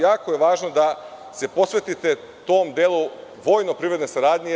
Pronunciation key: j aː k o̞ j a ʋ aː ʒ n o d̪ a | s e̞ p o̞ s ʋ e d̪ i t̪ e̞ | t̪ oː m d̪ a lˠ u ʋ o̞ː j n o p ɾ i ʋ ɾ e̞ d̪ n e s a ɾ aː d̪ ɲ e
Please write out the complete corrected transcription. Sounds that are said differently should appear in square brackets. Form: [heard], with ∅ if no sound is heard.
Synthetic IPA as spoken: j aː k o̞ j [e] ʋ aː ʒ n o d̪ a | s e̞ p o̞ s ʋ e [t̪] i t̪ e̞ | t̪ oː m d̪ [e] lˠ u ʋ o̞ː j n o p ɾ i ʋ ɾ e̞ d̪ n e s a ɾ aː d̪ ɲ e

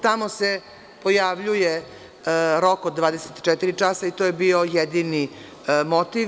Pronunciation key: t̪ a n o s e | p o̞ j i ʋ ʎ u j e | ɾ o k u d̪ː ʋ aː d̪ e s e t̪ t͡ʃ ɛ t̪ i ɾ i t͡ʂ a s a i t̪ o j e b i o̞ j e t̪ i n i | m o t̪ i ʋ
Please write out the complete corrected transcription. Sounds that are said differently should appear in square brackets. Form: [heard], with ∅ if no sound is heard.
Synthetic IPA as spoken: t̪ a [m] o s e | p o̞ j [a] ʋ ʎ u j e | ɾ o k [o] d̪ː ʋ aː d̪ e s e t̪ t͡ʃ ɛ t̪ i ɾ i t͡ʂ a s a i t̪ o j e b i o̞ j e [d̪] i n i | m o t̪ i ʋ

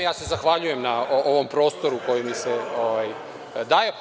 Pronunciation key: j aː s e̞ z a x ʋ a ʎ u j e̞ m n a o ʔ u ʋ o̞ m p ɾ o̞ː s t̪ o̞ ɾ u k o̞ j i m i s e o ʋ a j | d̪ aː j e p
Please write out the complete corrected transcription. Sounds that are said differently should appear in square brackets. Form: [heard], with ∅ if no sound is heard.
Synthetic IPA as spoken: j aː s e̞ z a x ʋ a ʎ u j e̞ m n a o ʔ [o] ʋ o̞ m p ɾ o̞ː s t̪ o̞ ɾ u k o̞ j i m i s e o ʋ a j | d̪ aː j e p

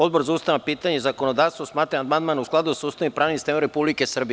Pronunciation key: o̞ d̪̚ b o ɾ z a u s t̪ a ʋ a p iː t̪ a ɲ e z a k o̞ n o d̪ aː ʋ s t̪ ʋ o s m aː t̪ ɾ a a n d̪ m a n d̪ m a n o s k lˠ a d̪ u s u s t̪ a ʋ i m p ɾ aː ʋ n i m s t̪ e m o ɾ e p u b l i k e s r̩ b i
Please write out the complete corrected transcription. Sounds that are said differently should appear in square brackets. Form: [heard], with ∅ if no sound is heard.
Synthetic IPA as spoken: o̞ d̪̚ b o ɾ z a u s t̪ a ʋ a p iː t̪ a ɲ e z a k o̞ n o d̪ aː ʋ s t̪ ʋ o s m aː t̪ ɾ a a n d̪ m a n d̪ m a n [u] s k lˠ a d̪ u s u s t̪ a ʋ i m p ɾ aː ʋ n i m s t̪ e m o ɾ e p u b l i k e s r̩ b i

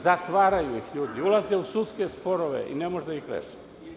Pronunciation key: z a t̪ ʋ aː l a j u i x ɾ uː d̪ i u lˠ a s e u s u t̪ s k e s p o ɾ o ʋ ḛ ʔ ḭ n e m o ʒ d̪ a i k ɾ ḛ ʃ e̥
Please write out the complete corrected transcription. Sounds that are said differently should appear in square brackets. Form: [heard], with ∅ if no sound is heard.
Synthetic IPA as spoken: z a t̪ ʋ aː [ɾ] a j u i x [ʎ] uː d̪ i u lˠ a [z] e u s u t̪ s k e s p o ɾ o ʋ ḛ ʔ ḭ n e m o ʒ d̪ a i [x] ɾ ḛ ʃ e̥

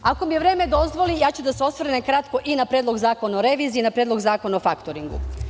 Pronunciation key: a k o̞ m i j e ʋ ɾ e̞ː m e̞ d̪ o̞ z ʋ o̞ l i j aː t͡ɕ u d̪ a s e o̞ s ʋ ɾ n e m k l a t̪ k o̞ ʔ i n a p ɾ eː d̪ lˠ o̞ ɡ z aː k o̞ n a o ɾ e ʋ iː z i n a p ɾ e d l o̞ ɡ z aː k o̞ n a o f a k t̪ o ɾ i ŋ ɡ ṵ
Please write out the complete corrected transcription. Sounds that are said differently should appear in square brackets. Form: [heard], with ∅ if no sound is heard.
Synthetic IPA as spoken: a k o̞ m i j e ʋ ɾ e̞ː m e̞ d̪ o̞ z ʋ o̞ l i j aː t͡ɕ u d̪ a s e o̞ s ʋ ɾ n e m k [ɾ] a t̪ k o̞ ʔ i n a p ɾ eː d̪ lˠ o̞ ɡ z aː k o̞ n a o ɾ e ʋ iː z i n a p ɾ e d l o̞ ɡ z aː k o̞ n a o f a k t̪ o ɾ i ŋ ɡ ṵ

